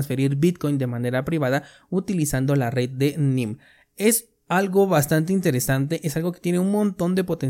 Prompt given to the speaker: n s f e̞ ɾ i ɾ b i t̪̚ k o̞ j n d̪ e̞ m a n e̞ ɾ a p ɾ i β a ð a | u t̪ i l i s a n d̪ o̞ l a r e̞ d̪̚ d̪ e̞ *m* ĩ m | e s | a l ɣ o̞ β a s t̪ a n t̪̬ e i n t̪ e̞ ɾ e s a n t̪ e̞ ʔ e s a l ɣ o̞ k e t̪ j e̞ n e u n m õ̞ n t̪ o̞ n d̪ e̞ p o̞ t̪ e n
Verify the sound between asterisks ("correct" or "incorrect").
incorrect